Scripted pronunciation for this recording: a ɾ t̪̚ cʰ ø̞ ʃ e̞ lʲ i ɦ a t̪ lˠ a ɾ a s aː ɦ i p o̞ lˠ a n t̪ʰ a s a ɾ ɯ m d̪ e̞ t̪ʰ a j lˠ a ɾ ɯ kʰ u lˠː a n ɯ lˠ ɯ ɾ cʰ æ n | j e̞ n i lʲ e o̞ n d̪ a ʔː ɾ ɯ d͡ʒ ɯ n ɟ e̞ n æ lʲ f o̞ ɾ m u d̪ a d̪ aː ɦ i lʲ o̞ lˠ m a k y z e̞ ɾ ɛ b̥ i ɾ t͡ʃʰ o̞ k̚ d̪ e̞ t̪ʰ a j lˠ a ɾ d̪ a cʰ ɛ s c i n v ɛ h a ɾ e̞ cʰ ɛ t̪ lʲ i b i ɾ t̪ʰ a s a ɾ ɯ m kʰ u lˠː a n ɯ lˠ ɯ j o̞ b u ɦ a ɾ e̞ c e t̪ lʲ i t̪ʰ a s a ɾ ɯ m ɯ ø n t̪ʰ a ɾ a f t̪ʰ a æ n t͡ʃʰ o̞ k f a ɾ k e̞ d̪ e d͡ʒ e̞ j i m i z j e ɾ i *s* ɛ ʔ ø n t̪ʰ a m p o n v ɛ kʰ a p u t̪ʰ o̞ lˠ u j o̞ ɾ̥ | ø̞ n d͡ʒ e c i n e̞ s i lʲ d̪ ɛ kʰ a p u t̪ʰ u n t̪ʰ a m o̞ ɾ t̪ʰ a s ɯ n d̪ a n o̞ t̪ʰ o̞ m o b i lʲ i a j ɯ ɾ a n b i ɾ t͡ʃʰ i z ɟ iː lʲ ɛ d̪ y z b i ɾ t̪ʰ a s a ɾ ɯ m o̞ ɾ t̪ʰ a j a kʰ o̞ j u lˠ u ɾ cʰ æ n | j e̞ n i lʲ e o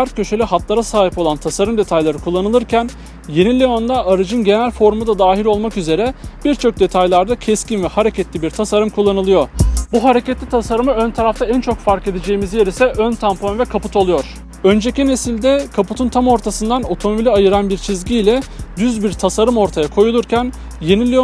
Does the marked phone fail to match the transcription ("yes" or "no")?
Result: no